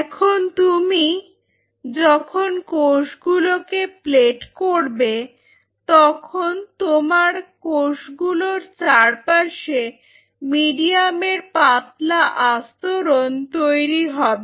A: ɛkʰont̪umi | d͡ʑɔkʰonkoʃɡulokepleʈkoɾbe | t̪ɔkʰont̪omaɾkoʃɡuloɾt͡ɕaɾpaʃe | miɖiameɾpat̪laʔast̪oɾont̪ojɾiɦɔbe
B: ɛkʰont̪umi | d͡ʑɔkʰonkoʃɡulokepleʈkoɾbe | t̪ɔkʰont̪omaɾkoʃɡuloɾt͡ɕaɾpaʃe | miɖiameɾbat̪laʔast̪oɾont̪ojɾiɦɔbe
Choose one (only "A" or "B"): A